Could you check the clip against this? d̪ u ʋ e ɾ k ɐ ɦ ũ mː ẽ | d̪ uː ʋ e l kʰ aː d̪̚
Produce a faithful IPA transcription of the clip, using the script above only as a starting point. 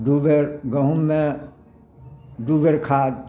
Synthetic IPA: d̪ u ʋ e ɾ ɡ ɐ ɦ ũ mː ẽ | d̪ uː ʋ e ɾ kʰ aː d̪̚